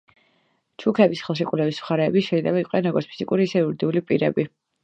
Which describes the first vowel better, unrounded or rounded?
rounded